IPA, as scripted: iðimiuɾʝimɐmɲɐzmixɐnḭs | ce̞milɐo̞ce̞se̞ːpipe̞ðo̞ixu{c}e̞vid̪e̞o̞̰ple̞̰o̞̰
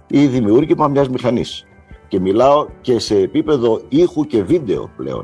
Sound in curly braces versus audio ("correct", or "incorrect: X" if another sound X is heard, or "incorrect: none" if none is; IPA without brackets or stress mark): correct